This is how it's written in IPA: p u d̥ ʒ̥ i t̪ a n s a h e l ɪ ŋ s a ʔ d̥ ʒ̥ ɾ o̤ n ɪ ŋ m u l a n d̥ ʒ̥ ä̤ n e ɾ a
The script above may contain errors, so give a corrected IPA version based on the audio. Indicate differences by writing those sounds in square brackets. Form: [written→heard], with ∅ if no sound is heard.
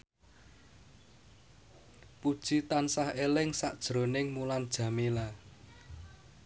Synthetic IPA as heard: p u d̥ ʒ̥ i t̪ a n s a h e l ɪ ŋ s a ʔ d̥ ʒ̥ ɾ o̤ n ɪ ŋ m u l a n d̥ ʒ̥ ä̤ [n→m] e [ɾ→l] a